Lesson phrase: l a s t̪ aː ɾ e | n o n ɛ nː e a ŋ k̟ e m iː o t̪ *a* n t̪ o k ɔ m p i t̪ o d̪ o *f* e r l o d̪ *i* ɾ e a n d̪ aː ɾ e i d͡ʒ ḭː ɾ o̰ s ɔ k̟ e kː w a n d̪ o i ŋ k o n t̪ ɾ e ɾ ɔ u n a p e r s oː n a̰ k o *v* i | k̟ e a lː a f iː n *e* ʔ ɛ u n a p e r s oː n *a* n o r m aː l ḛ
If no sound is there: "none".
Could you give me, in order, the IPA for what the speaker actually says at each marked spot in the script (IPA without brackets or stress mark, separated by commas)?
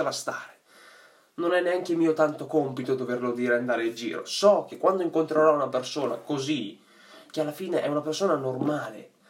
a, v, iː, z, e, a